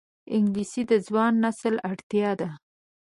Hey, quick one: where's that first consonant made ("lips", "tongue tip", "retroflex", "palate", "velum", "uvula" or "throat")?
velum